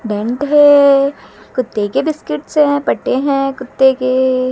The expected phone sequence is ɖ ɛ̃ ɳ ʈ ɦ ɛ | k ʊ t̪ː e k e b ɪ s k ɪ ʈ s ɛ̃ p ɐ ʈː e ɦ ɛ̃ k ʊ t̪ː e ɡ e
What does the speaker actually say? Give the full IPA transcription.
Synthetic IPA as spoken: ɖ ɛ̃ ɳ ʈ ɦ ɛ | k ʊ t̪ː e k e b ɪ s k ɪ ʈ s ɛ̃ p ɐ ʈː e ɦ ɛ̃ k ʊ t̪ː e k e